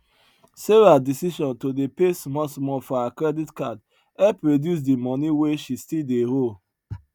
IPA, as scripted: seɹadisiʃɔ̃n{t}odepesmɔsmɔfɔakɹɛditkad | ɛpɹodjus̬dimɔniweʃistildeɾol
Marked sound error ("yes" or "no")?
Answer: no